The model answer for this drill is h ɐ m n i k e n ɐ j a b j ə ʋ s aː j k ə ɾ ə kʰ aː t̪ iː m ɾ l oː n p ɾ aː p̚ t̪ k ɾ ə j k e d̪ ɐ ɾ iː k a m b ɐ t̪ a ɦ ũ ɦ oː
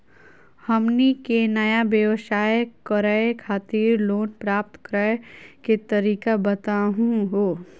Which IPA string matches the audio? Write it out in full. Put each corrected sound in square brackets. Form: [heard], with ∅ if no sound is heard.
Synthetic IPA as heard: h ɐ m n i k e n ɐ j a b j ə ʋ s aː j k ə ɾ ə kʰ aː t̪ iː [∅] ɾ l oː n p ɾ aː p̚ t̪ k ɾ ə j k e [t̪] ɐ ɾ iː k a [∅] b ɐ t̪ a ɦ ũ ɦ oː